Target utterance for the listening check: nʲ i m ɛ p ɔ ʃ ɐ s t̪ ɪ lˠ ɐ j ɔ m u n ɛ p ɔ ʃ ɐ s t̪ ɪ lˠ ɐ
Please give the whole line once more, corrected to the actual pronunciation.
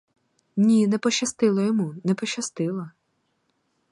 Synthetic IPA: nʲ i n ɛ p ɔ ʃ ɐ s t̪ ɪ lˠ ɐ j ɔ m u n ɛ p ɔ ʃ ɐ s t̪ ɪ lˠ ɐ